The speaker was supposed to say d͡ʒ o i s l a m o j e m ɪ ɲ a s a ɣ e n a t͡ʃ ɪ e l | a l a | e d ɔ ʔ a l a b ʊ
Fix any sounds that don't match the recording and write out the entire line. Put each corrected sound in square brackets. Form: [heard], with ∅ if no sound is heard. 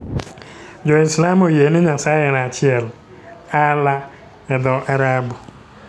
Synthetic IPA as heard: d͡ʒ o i s l a m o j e [n] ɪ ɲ a s a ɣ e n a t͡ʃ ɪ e l | a l a | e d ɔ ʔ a [ɾ] a b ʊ

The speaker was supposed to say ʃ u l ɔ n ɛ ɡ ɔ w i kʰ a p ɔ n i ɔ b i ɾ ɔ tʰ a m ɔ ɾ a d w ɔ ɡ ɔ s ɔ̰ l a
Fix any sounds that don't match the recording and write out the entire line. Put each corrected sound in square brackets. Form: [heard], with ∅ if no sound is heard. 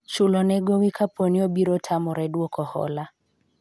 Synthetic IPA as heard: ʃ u l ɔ n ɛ ɡ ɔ w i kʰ a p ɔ n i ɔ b i ɾ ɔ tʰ a m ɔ ɾ [ɛ] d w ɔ [k] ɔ [h] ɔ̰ l a

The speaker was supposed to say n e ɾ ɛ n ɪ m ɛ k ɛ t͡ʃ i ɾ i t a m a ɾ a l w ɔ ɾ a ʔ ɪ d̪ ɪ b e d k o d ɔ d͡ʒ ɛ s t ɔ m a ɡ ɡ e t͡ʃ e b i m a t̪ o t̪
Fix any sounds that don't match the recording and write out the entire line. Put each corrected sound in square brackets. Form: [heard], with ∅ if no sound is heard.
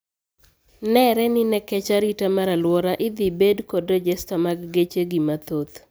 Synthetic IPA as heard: n [ɛ] ɾ ɛ n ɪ [n] ɛ k ɛ t͡ʃ [a] ɾ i t a m a ɾ a l w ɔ ɾ a ʔ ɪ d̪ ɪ b e d k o d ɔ d͡ʒ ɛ s t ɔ m a ɡ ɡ e t͡ʃ e [ɡ] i m a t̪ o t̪

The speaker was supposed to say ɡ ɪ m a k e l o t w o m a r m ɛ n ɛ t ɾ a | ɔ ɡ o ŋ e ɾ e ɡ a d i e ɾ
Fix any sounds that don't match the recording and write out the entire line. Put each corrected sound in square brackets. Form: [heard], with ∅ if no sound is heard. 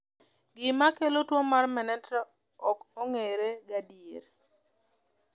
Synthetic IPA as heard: ɡ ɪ m a k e l o t w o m a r m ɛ n ɛ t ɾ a | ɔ [k] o ŋ e ɾ e ɡ a d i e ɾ

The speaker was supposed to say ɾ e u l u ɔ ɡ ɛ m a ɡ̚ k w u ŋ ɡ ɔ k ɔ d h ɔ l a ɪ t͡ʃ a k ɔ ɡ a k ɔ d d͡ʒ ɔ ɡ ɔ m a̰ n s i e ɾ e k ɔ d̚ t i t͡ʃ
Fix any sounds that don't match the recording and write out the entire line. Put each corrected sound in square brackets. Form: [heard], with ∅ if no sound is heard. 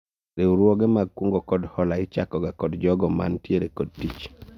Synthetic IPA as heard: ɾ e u [ɾ] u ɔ ɡ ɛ m a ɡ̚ k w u ŋ ɡ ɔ k ɔ d h ɔ l a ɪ t͡ʃ a k ɔ ɡ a k ɔ d d͡ʒ ɔ ɡ ɔ m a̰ n [t] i e ɾ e k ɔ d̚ t i t͡ʃ

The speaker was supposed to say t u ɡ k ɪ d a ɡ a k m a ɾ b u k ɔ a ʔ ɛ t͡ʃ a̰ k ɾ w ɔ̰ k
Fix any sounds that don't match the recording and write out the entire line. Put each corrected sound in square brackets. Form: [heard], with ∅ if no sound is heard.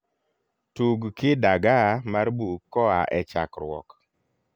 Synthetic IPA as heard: t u ɡ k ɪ d a ɡ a [∅] m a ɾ b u k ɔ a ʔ ɛ t͡ʃ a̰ k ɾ w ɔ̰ k

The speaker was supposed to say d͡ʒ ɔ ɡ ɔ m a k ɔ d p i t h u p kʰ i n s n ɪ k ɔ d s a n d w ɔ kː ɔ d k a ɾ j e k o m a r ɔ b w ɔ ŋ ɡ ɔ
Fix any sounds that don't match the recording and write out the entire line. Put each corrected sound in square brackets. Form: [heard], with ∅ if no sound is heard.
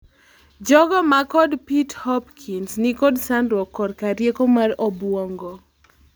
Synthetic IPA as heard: d͡ʒ ɔ ɡ ɔ m a k ɔ d p i t h [ɔ] p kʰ i n s n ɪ k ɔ d s a n d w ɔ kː ɔ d k a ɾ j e k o m a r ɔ b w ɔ ŋ ɡ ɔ

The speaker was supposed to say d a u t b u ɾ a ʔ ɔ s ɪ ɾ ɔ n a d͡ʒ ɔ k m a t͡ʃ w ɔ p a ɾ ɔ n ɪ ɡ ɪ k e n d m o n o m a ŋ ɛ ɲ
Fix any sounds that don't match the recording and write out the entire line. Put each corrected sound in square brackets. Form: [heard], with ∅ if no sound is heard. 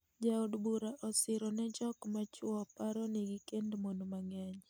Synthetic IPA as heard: [d͡ʒ] a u [d] b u ɾ a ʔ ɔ s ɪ ɾ ɔ n [ɛ] d͡ʒ ɔ k m a t͡ʃ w ɔ p a ɾ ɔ n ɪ ɡ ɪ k e n d m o n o m a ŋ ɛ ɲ

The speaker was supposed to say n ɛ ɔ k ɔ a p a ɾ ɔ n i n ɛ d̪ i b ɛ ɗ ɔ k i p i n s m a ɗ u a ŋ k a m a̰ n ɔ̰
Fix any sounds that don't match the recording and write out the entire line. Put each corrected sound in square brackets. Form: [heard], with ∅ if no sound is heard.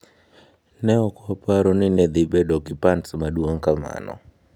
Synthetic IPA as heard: n ɛ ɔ k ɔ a p a ɾ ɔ n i n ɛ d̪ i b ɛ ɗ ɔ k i p [a] n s m a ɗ u a ŋ k a m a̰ n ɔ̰

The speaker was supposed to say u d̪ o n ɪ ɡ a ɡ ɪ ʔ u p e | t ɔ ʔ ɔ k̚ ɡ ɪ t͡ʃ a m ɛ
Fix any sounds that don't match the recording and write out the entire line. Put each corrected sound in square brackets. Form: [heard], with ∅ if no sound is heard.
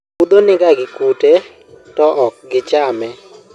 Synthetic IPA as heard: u d̪ o n ɪ ɡ a ɡ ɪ [k] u [t] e | t ɔ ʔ ɔ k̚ ɡ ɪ t͡ʃ a m ɛ

